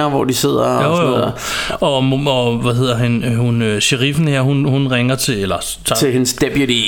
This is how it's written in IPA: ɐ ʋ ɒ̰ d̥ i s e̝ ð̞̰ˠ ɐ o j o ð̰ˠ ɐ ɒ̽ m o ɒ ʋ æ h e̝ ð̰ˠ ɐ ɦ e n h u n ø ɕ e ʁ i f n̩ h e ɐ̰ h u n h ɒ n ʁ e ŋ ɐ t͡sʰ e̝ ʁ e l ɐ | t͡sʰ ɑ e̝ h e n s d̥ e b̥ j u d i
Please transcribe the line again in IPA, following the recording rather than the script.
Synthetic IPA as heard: ɐ ʋ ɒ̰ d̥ i s e̝ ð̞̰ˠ ɐ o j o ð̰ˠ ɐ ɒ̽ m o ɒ ʋ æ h e̝ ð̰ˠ ɐ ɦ æ n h u n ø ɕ e ʁ i f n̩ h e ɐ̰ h u n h u n ʁ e ŋ ɐ t͡sʰ e̝ e l ɐ | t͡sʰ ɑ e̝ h e n s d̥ e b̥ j u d i